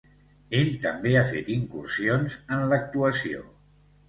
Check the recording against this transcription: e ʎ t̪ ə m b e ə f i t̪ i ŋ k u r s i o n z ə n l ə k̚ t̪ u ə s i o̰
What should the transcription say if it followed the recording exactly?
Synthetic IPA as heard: e ʎ t̪ ə m b e a f e t̪ i ŋ k u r s i o n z ə n l ə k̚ t̪ u ə s i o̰